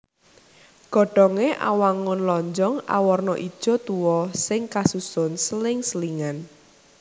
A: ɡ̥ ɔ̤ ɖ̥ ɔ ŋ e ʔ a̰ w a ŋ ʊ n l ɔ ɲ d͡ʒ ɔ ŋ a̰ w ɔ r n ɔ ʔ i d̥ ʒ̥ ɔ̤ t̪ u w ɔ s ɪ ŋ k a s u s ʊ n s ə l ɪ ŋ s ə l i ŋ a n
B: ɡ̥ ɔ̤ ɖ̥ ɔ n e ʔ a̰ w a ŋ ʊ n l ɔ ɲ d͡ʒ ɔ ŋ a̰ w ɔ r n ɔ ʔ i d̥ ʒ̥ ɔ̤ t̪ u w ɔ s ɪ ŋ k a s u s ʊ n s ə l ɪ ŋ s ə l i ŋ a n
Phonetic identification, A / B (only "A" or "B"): A